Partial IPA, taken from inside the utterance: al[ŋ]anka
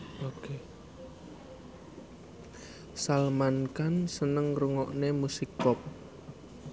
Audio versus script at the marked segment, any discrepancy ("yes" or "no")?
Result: yes